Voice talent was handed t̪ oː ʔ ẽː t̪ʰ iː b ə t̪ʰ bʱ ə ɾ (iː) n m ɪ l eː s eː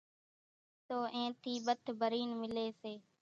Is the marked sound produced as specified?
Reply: yes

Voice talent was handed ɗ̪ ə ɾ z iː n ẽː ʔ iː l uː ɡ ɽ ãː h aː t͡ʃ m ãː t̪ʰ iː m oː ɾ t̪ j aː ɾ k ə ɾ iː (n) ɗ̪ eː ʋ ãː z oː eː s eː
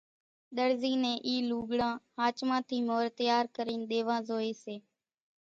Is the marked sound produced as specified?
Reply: yes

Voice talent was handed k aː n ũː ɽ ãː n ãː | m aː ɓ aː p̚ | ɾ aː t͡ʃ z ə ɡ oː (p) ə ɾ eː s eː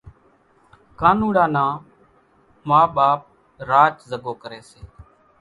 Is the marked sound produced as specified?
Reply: no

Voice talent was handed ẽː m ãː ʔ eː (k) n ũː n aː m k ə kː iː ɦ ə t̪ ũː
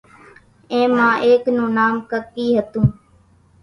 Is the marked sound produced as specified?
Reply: yes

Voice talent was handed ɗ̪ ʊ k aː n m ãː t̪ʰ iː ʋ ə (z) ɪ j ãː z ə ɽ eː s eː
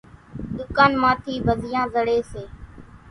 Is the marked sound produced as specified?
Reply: yes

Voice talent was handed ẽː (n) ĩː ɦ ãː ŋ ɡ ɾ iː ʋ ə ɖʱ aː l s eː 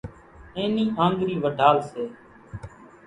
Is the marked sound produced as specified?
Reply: yes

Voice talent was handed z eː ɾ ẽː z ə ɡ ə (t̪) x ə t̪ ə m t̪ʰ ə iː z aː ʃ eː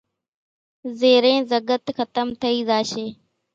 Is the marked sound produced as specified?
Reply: yes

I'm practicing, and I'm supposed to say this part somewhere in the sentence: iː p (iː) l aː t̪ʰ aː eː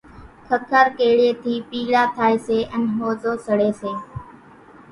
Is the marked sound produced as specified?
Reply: yes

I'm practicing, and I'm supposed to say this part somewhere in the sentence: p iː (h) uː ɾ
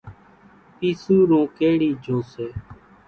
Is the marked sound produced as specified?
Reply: no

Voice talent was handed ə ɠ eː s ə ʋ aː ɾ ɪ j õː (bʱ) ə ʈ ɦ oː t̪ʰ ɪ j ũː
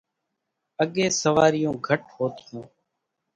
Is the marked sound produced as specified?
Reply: no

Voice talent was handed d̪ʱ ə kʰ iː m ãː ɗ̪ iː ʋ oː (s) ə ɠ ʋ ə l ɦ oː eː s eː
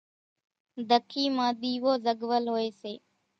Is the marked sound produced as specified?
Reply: no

